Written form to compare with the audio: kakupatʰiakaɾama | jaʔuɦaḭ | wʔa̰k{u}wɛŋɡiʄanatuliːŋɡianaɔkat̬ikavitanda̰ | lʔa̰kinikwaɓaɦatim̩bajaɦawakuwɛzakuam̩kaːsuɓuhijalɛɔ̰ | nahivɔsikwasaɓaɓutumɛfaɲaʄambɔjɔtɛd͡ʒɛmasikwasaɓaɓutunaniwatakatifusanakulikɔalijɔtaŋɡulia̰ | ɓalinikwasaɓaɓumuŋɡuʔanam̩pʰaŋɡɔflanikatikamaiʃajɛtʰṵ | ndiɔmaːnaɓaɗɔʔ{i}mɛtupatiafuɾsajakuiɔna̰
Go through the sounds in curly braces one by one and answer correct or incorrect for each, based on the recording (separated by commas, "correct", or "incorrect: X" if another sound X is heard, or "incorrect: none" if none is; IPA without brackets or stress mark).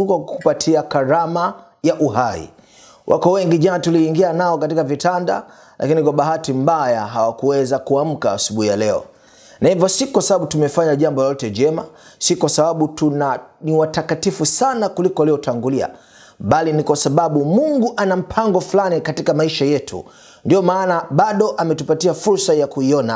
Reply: incorrect: ɔ, incorrect: a